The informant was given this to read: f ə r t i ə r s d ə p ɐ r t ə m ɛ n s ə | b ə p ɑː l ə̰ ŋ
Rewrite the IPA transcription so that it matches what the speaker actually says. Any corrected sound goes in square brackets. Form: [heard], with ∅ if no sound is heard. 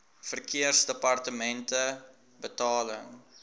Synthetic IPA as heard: f ə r [k] i ə r s d ə p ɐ r t ə m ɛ n [t] ə | b ə [t] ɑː l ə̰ ŋ